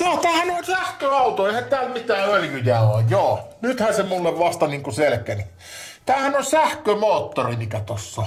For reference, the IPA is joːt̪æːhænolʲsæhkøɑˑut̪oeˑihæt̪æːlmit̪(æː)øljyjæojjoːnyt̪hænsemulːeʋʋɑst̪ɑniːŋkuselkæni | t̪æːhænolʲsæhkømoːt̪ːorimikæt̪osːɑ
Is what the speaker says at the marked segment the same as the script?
yes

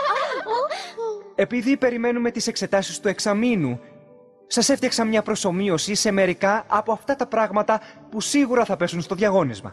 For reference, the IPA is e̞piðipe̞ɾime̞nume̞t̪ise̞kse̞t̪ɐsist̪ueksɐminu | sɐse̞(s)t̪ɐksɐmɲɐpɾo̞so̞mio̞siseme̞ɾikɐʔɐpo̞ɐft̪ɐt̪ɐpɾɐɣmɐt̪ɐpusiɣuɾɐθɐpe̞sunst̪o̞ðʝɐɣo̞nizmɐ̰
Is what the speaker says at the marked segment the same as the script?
no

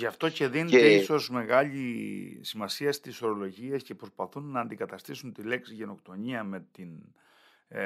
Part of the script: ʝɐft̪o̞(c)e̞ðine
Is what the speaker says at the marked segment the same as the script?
yes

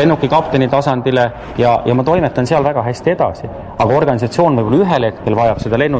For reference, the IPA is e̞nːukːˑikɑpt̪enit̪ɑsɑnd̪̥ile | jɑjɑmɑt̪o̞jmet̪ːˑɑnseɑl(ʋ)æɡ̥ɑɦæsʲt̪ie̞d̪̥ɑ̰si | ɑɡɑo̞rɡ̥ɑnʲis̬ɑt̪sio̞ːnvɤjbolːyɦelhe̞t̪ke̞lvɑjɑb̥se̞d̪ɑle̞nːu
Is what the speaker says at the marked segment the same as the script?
no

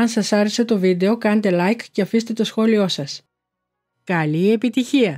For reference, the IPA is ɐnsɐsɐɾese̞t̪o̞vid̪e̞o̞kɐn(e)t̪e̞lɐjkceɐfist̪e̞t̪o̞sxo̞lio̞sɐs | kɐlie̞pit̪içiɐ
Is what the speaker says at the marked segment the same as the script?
yes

